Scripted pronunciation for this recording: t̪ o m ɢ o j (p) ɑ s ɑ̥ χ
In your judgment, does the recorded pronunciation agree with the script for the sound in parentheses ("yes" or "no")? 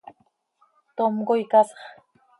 no